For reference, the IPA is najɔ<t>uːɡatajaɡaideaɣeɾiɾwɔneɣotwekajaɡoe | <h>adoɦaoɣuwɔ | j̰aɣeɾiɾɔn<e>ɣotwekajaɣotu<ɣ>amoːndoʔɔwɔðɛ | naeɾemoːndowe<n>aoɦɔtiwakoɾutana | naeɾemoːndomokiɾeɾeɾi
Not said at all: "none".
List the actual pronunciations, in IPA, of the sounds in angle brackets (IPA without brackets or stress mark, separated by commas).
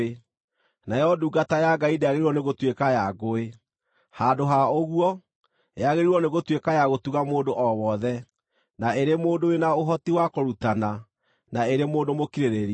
d, h, e, ɣ, n